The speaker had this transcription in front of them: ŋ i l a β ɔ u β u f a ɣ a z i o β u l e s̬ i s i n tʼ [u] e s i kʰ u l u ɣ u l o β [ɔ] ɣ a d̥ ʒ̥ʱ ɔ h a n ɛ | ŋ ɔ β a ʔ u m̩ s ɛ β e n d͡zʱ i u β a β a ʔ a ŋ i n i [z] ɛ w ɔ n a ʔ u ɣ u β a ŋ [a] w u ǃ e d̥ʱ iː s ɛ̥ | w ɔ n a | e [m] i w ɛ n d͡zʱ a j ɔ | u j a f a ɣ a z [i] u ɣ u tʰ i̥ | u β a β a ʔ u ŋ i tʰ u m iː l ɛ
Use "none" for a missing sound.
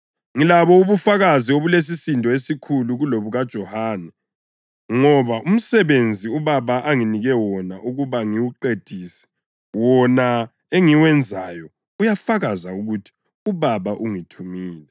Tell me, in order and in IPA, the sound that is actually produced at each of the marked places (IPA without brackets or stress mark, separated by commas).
ɔ, u, ɣ, i, ŋ, a